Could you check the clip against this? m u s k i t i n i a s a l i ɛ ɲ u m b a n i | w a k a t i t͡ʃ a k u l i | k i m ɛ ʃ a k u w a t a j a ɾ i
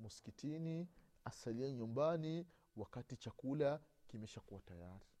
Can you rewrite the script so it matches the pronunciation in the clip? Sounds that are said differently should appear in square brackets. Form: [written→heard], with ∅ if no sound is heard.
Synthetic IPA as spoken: m u s k i t i n i a s a l i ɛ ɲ u m b a n i | w a k a t i t͡ʃ a k u l [i→a] | k i m ɛ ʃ a k u w a t a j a ɾ i